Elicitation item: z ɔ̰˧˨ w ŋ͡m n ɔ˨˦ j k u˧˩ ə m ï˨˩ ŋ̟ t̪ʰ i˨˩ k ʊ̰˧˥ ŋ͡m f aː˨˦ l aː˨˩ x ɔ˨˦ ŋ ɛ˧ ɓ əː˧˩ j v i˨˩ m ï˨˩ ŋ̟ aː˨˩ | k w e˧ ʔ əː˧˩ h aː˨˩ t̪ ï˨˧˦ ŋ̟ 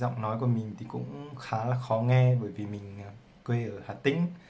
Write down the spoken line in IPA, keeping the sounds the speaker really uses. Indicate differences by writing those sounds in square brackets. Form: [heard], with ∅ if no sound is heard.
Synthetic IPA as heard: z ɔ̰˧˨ w ŋ͡m n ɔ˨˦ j k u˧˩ ə m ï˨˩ ŋ̟ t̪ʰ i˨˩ k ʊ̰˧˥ ŋ͡m [x] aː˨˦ l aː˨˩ x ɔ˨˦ ŋ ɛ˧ ɓ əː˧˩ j v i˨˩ m ï˨˩ ŋ̟ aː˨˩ | k w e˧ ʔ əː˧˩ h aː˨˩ t̪ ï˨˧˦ ŋ̟